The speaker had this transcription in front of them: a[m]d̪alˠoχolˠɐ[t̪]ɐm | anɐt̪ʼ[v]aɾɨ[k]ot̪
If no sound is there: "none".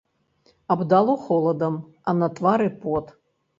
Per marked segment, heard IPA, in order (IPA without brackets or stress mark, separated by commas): b, d̪, v, p